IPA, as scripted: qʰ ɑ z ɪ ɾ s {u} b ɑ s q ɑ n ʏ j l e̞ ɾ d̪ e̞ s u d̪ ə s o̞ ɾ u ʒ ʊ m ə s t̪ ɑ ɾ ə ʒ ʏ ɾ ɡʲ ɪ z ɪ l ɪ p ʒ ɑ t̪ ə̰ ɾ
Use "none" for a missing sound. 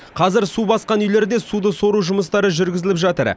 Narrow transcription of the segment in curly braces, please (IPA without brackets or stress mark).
u